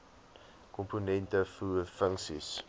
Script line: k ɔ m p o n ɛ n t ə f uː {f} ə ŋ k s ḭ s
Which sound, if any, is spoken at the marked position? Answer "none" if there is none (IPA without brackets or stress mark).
f